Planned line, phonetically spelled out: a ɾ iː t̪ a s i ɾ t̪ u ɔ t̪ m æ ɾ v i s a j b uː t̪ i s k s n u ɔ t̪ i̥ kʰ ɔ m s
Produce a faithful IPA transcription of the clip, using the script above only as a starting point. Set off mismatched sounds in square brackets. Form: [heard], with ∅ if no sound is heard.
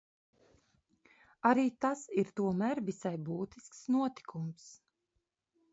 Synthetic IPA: a ɾ iː t̪ a s i ɾ t̪ u ɔ [∅] m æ ɾ v i s a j b uː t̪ i s k s n u ɔ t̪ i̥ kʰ [u] m s